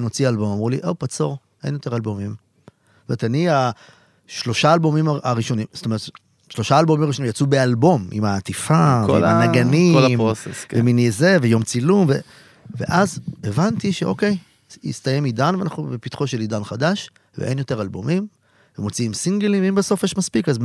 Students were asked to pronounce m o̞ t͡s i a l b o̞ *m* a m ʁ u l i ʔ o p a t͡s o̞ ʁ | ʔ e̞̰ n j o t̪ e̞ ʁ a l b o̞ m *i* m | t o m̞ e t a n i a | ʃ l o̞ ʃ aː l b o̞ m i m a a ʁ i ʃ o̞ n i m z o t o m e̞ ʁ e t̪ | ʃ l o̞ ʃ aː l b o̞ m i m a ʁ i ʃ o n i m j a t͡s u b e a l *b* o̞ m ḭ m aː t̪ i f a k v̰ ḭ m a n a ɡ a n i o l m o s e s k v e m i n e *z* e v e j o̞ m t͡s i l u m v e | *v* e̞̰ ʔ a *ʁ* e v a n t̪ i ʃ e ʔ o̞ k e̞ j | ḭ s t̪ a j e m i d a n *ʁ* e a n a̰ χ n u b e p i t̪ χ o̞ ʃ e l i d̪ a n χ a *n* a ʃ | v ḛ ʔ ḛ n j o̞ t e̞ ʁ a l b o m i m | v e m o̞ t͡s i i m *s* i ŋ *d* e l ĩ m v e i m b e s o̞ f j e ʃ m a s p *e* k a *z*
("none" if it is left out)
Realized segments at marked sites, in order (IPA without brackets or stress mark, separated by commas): m, i, b, z, v, z, v, d, s, ɡ, i, z